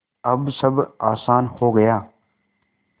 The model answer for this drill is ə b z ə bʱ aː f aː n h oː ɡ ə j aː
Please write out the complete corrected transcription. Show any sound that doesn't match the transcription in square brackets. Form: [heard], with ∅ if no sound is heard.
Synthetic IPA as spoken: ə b [s] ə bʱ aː [s] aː n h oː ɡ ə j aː